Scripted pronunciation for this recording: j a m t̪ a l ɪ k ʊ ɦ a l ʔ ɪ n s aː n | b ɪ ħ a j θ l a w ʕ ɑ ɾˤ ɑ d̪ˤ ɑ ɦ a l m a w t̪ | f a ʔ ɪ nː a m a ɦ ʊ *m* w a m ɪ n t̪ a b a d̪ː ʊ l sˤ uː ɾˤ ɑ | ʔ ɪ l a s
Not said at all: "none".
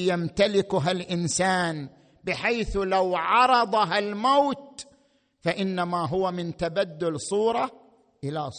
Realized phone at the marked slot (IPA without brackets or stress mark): none